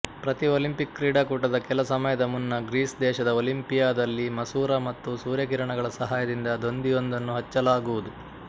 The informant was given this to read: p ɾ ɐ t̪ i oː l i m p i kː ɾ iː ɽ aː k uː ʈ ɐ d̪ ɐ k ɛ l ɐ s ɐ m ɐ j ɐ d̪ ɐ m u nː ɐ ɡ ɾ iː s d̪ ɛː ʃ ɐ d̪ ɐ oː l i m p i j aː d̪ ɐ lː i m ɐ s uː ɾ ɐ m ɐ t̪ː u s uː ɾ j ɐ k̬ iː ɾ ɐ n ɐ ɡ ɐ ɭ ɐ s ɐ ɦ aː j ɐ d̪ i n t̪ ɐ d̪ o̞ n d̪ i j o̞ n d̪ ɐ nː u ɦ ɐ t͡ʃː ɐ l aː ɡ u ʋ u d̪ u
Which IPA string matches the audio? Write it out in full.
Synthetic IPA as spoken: p ɾ ɐ t̪ i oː l i m p i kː ɾ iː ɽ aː k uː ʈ ɐ d̪ ɐ k ɛ l ɐ s ɐ m ɐ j ɐ d̪ ɐ m u nː ɐ ɡ ɾ iː s d̪ ɛː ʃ ɐ d̪ ɐ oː l i m p i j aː d̪ ɐ lː i m ɐ s uː ɾ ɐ m ɐ t̪ː u s uː ɾ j ɐ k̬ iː ɾ ɐ ɳ ɐ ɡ ɐ ɭ ɐ s ɐ ɦ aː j ɐ d̪ i n d̪ ɐ d̪ o̞ n d̪ i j o̞ n d̪ ɐ nː u ɦ ɐ t͡ʃː ɐ l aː ɡ u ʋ u d̪ u